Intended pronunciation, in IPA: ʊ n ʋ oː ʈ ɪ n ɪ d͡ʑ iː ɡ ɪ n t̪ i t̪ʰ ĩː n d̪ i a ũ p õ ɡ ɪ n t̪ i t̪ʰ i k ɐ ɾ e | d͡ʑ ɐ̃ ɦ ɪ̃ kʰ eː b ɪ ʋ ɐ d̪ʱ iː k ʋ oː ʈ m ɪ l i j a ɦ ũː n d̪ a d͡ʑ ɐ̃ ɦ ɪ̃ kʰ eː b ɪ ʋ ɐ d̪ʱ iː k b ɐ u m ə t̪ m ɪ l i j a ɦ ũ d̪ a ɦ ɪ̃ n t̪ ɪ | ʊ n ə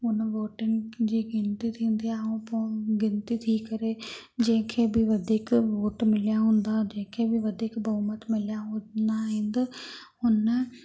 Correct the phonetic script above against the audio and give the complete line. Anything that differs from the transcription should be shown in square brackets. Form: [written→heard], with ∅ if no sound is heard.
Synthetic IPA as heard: ʊ n ʋ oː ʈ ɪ n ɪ d͡ʑ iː ɡ ɪ n t̪ i t̪ʰ ĩː n d̪ i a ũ p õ ɡ ɪ n t̪ i t̪ʰ i k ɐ ɾ e | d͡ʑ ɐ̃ ɦ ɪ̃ kʰ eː b ɪ ʋ ɐ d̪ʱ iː k ʋ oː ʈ m ɪ l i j a ɦ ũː n d̪ a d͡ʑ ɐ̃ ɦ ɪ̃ kʰ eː b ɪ ʋ ɐ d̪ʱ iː k b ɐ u m ə t̪ m ɪ l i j a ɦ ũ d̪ a ɦ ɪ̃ n [t̪→d̪] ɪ | ʊ n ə